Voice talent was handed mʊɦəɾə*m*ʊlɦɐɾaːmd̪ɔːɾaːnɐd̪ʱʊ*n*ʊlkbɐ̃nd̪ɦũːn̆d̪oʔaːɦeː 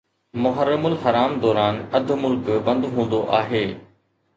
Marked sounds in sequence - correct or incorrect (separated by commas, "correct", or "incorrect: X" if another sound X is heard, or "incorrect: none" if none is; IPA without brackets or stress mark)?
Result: correct, incorrect: m